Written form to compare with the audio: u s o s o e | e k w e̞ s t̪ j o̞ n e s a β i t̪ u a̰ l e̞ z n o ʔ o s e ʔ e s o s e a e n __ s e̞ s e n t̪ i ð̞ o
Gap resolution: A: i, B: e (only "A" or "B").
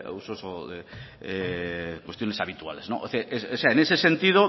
B